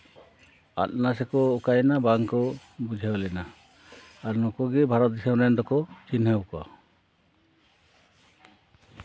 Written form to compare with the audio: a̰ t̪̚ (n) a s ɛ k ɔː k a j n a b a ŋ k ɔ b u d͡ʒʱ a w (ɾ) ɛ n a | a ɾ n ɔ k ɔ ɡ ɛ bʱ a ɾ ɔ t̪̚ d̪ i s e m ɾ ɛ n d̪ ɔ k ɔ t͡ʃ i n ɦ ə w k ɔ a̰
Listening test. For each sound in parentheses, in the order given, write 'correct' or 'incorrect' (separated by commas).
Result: correct, incorrect